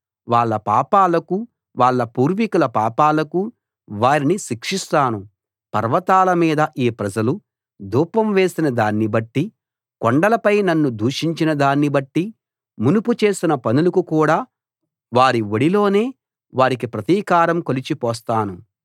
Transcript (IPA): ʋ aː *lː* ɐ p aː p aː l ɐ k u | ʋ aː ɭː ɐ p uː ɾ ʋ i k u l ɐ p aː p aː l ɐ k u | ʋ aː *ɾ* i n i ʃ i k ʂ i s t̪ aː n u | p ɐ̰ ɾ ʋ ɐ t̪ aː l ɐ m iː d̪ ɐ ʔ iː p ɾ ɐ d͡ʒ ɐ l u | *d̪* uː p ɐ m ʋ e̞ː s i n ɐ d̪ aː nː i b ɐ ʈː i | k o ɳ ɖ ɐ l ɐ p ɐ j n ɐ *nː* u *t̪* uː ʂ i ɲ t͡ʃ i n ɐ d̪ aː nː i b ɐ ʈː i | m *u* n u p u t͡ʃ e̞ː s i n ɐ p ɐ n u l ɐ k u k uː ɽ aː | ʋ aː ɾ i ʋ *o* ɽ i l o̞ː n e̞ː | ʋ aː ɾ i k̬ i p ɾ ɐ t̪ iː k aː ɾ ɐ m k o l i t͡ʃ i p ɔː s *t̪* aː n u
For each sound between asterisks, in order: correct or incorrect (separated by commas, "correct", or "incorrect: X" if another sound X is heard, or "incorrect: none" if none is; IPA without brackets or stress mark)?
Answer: incorrect: ɭː, correct, correct, correct, incorrect: d̪, correct, correct, correct